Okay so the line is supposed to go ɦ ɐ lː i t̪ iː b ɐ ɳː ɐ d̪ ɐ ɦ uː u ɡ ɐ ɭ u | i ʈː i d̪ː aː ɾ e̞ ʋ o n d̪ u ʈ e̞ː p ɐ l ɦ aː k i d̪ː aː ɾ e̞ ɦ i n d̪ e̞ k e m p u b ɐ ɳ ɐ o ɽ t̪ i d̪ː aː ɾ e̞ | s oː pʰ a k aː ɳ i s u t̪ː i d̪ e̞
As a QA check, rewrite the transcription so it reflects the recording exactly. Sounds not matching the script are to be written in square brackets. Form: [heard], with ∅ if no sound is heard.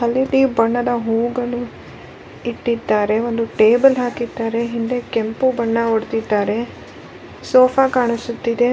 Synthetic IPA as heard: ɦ ɐ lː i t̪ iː b ɐ ɳː ɐ d̪ ɐ ɦ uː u ɡ ɐ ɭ u | i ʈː i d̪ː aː ɾ e̞ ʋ o n d̪ u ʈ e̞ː [b] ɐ l ɦ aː k i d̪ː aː ɾ e̞ ɦ i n d̪ e̞ k e m p u b ɐ [ɳː] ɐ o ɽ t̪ i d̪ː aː ɾ e̞ | s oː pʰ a k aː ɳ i s u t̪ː i d̪ e̞

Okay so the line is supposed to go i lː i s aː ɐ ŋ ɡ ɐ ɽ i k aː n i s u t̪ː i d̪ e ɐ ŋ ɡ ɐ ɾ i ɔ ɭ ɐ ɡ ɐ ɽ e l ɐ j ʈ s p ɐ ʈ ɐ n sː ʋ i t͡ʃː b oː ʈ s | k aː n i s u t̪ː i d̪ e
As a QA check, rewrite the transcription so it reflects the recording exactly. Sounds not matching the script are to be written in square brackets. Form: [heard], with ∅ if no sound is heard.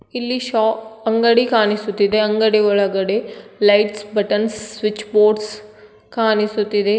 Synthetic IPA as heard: i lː i [ʃ] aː ɐ ŋ ɡ ɐ ɽ i k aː n i s u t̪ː i d̪ e ɐ ŋ ɡ ɐ [ɽ] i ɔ ɭ ɐ ɡ ɐ ɽ e l ɐ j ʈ s [b] ɐ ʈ ɐ n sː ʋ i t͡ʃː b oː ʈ s | k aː n i s u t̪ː i d̪ e

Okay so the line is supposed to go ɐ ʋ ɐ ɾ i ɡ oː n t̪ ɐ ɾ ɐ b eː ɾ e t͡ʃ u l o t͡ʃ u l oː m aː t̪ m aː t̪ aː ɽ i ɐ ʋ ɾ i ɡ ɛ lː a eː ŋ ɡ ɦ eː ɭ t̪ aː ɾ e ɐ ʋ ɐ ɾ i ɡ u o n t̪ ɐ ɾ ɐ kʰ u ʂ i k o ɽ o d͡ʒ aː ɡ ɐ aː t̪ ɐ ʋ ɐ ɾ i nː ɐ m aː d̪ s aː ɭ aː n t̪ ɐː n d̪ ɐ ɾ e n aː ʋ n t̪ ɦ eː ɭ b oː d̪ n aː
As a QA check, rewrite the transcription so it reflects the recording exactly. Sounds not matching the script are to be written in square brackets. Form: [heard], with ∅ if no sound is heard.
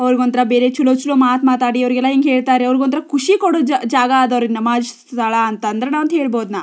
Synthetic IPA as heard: ɐ ʋ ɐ ɾ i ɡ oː n t̪ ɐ ɾ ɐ b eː ɾ e t͡ʃ u l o t͡ʃ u l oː m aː t̪ m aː t̪ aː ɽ i ɐ ʋ ɾ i ɡ ɛ lː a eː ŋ ɡ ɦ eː ɭ t̪ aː ɾ e ɐ ʋ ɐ ɾ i ɡ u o n t̪ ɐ ɾ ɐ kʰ u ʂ i k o ɽ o d͡ʒ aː ɡ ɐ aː [d̪] ɐ ʋ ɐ ɾ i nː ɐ m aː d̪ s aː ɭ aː n t̪ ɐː n d̪ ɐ ɾ e n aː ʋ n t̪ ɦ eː ɭ b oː d̪ n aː

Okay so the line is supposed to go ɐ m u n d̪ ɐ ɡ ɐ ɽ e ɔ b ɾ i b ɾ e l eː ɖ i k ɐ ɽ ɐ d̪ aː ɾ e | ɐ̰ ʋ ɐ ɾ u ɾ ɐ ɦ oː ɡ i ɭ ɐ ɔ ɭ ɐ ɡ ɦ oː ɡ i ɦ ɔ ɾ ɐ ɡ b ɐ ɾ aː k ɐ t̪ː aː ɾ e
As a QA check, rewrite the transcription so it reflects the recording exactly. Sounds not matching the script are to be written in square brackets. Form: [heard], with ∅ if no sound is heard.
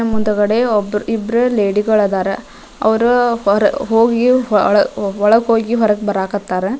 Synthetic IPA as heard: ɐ m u n d̪ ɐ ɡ ɐ ɽ e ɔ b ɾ i b ɾ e l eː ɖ i [ɡ] ɐ [ɭ] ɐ d̪ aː ɾ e | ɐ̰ ʋ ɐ ɾ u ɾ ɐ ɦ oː ɡ i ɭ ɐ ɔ ɭ ɐ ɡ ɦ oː ɡ i ɦ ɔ ɾ ɐ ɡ b ɐ ɾ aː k ɐ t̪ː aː ɾ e

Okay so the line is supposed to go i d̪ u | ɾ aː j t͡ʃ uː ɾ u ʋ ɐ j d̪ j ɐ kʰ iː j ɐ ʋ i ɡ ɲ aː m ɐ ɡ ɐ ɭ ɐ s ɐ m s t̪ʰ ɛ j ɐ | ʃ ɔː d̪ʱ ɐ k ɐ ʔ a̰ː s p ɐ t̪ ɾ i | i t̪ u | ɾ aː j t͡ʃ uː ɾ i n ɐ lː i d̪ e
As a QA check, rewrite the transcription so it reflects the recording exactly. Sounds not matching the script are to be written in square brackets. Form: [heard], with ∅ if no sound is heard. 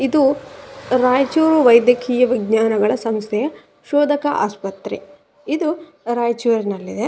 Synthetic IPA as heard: i d̪ u | ɾ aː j t͡ʃ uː ɾ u ʋ ɐ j d̪ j ɐ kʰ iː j ɐ ʋ i ɡ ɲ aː [n] ɐ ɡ ɐ ɭ ɐ s ɐ m s t̪ʰ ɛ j ɐ | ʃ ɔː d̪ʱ ɐ k ɐ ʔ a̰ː s p ɐ t̪ ɾ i | i [d̪] u | ɾ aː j t͡ʃ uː ɾ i n ɐ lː i d̪ e

